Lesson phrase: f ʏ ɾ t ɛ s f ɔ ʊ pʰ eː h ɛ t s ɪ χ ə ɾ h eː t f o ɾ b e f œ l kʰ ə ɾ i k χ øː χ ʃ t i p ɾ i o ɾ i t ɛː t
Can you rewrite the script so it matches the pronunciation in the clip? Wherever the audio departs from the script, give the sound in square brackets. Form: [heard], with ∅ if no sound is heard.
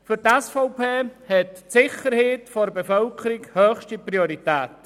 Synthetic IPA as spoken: f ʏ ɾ t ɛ s f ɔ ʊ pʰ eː h ɛ t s ɪ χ ə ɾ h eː t f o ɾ b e f œ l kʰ ə ɾ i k [h] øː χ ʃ t i p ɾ i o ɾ i t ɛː t